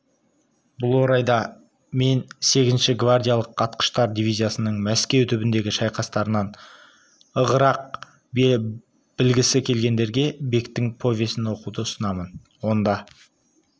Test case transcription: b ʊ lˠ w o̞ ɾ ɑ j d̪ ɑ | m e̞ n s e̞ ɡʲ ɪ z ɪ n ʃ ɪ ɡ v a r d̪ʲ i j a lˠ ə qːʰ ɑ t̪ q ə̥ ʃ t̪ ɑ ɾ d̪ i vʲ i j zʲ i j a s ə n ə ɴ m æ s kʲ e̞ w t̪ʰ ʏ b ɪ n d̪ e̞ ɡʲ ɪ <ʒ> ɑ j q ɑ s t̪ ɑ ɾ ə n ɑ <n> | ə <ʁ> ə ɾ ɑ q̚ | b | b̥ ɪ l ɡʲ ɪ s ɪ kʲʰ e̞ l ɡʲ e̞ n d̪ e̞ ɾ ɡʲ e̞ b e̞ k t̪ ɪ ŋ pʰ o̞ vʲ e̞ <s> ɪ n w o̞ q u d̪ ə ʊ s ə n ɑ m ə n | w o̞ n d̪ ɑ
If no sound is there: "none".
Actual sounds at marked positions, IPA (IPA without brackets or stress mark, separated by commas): ʃ, n, ʁ, s